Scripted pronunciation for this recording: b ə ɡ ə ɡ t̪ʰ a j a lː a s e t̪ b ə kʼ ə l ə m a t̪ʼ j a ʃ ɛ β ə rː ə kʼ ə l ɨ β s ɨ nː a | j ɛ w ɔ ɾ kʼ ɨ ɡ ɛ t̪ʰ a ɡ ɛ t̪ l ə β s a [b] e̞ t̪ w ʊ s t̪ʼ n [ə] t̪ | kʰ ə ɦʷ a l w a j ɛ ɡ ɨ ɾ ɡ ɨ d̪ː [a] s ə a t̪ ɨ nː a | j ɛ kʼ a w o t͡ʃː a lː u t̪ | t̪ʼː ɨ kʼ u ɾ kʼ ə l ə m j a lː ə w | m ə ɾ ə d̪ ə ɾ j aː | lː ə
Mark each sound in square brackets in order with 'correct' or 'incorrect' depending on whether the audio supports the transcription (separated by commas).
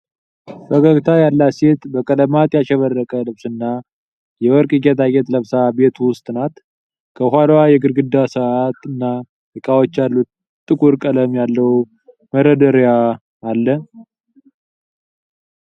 correct, incorrect, correct